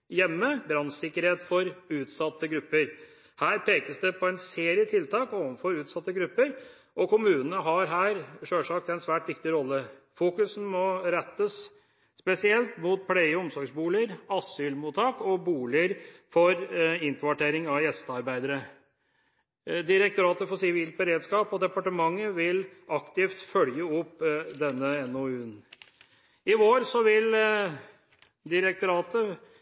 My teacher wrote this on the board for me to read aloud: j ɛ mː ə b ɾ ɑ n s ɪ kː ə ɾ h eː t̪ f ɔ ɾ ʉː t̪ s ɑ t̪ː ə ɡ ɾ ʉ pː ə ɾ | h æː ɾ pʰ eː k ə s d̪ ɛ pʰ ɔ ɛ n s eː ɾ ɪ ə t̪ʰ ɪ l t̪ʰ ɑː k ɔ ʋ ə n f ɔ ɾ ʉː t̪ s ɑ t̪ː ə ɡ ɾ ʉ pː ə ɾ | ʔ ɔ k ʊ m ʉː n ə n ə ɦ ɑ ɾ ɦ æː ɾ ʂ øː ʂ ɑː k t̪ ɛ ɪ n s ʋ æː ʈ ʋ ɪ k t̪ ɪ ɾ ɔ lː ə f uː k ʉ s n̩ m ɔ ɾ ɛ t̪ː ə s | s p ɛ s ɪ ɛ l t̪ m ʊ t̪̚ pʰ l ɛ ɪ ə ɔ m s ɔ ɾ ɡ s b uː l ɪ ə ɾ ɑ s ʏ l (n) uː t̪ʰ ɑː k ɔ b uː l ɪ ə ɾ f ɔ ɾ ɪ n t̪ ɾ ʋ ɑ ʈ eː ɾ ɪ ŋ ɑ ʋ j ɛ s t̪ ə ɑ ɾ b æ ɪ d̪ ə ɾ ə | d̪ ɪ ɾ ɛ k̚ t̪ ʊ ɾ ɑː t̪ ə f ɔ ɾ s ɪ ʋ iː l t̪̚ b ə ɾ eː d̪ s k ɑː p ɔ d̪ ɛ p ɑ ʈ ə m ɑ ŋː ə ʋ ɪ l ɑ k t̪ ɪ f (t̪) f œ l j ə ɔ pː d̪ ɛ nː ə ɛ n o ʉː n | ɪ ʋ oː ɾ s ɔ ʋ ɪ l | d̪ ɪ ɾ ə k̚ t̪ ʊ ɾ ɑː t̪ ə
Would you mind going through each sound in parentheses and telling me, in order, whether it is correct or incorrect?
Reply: incorrect: m, correct

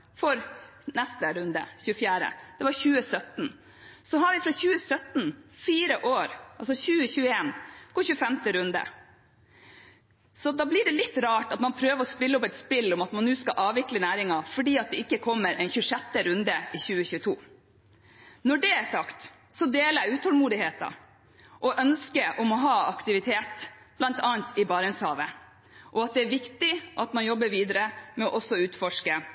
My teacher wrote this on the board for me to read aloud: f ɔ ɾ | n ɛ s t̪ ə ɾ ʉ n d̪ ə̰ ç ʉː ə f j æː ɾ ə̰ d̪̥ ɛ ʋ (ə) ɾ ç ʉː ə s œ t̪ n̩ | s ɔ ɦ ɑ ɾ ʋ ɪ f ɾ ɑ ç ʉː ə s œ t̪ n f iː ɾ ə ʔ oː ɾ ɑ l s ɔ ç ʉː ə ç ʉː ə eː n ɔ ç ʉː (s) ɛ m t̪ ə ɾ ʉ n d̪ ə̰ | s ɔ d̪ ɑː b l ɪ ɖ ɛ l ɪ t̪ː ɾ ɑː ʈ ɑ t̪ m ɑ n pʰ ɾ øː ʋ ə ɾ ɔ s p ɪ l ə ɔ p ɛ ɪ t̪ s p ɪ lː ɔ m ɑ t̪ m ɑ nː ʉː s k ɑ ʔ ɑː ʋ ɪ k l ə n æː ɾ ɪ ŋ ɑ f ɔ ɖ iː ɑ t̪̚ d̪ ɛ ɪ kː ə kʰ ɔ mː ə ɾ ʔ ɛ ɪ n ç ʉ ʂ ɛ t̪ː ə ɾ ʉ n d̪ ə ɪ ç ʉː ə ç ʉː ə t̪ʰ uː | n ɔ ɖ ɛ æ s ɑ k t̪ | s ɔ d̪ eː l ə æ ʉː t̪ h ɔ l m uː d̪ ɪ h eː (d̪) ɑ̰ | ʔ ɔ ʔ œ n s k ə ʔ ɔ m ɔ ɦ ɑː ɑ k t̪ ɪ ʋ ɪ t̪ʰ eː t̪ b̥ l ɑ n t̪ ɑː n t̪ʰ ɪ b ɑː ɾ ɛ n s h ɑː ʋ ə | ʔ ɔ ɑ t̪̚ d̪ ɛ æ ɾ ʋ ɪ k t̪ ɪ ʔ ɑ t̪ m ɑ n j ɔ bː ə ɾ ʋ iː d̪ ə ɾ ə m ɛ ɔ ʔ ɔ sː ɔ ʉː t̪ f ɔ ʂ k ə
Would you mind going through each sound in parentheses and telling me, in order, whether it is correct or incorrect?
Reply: incorrect: ɑ, incorrect: f, incorrect: t̪

